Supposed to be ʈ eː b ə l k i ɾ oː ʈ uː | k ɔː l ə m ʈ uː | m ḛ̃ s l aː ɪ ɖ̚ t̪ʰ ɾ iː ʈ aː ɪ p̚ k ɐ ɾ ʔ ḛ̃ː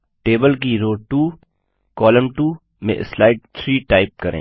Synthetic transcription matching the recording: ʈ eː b ə l k i ɾ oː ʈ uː | k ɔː l ə m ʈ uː | m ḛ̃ s l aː ɪ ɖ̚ t̪ʰ ɾ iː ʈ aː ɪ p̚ k ɐ ɾ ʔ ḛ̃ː